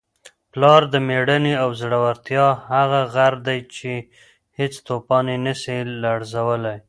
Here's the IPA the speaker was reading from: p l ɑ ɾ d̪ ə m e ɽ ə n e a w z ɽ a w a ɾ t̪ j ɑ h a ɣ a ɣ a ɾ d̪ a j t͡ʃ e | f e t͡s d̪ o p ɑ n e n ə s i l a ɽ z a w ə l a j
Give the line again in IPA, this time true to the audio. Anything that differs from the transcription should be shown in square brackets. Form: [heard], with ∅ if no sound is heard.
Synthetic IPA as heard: p l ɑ ɾ d̪ ə m e ɽ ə n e a w z ɽ a w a ɾ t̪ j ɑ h a ɣ a ɣ a ɾ d̪ a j t͡ʃ e | [h] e t͡s [t̪] o p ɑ n e n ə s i l a ɽ z a w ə l a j

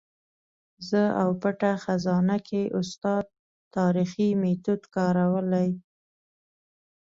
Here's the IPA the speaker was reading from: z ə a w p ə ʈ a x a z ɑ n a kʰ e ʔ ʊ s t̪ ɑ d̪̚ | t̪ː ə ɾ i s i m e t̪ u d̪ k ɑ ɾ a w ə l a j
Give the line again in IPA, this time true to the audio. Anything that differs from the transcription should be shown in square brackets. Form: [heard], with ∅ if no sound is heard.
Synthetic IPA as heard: z ə a w p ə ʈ a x a z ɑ n a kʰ e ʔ ʊ s t̪ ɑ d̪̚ | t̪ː [ɑ] ɾ i [x] i m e t̪ u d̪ k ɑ ɾ a w ə l a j

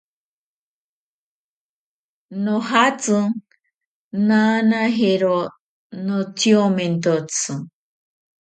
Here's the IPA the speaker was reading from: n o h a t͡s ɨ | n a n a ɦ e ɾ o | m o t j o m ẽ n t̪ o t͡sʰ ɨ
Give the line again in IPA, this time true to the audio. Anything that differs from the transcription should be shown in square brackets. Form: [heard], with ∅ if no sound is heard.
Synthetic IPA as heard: n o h a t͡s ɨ | n a n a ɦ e ɾ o | [n] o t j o m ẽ n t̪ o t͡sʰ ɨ

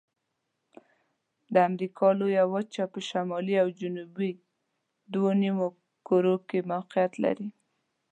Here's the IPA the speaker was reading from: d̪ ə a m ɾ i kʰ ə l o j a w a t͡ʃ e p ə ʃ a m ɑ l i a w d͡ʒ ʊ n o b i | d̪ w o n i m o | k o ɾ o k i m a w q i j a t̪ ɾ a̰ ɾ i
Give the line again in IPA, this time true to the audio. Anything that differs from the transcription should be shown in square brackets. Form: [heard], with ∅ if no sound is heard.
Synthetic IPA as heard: d̪ ə a m ɾ i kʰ [ɑ] l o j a w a t͡ʃ [a] p ə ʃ a m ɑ l i a w d͡ʒ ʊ n [u] b i | d̪ w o n i m o | k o ɾ o k [e] m a w q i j a t̪ [l] a̰ ɾ i

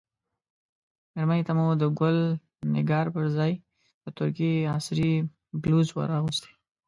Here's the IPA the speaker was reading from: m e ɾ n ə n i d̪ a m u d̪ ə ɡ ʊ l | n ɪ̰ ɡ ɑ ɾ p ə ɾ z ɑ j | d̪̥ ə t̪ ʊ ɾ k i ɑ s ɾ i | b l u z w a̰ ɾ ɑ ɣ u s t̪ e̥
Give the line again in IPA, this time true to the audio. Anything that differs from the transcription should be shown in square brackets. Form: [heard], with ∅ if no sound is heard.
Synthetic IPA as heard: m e ɾ [m] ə n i [t̪] a m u d̪ ə ɡ ʊ l | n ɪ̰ ɡ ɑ ɾ p ə ɾ z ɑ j | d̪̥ ə t̪ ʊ ɾ k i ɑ s ɾ i | b l u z w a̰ ɾ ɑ ɣ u s t̪ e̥

